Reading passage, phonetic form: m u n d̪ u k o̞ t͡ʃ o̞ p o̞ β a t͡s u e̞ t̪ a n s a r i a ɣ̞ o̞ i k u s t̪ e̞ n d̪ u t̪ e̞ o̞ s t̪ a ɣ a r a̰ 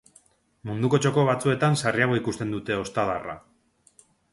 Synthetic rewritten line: m u n d̪ u k o̞ t͡ʃ o̞ k o̞ β a t͡s u e̞ t̪ a n s a r i a ɣ̞ o̞ i k u s t̪ e̞ n d̪ u t̪ e̞ o̞ s t̪ a ð a r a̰